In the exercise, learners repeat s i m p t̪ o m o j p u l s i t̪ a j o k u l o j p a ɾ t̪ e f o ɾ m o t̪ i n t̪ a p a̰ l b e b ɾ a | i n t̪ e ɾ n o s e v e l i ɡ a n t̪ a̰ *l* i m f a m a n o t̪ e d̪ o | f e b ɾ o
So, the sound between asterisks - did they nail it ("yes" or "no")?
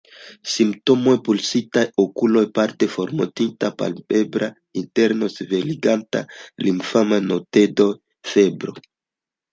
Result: yes